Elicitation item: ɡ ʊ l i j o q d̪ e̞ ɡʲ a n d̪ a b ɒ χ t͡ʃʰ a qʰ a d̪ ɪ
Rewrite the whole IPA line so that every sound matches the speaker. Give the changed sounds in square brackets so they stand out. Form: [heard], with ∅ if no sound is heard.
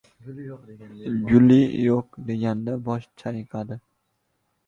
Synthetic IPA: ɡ ʊ l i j o q d̪ e̞ ɡʲ a n d̪ a b ɒ [ʃ] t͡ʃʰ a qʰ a d̪ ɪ